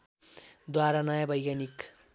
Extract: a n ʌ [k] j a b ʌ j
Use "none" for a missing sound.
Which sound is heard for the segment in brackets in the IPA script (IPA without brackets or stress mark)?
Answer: none